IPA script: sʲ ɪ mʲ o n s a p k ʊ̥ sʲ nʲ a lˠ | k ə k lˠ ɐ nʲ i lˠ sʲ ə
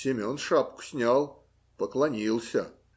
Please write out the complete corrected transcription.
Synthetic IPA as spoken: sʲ ɪ mʲ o n ʂ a p k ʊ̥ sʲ nʲ a lˠ | p ə k lˠ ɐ nʲ i lˠ sʲ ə